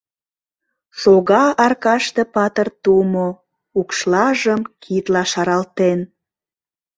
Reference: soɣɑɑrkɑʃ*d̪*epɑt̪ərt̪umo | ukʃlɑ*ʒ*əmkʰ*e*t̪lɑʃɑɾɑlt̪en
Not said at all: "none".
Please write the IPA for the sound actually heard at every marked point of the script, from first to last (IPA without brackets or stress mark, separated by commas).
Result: t̪, ʒ, i